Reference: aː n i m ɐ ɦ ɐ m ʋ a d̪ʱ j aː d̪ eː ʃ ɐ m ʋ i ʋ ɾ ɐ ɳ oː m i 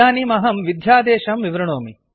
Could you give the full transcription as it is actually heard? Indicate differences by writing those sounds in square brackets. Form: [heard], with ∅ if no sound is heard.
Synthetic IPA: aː n i m ɐ ɦ ɐ m ʋ [i] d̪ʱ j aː d̪ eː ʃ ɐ m ʋ i ʋ ɾ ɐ ɳ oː m i